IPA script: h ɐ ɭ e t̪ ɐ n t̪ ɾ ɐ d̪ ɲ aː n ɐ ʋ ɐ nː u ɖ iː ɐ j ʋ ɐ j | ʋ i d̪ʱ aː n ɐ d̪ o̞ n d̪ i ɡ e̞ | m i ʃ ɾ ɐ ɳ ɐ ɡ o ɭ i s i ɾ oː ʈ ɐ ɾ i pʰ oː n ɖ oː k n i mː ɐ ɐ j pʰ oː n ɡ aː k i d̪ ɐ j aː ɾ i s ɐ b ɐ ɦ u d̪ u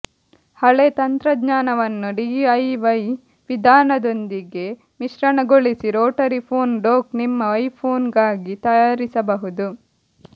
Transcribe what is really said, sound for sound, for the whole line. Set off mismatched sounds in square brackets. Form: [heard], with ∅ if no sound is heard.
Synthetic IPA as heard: h ɐ ɭ e t̪ ɐ n t̪ ɾ ɐ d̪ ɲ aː n ɐ ʋ ɐ nː u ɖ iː ɐ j ʋ ɐ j | ʋ i d̪ʱ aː n ɐ d̪ o̞ n d̪ i ɡ e̞ | m i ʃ ɾ ɐ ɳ ɐ ɡ o ɭ i s i ɾ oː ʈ ɐ ɾ i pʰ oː n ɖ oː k n i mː ɐ ɐ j pʰ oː n ɡ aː [ɡ] i [t̪] ɐ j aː ɾ i s ɐ b ɐ ɦ u d̪ u